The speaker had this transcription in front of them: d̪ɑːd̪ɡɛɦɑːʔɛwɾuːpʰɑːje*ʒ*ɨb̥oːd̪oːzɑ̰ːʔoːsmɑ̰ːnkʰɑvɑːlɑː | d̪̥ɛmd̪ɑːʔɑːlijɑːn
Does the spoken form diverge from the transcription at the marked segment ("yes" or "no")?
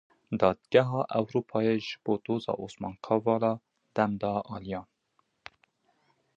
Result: no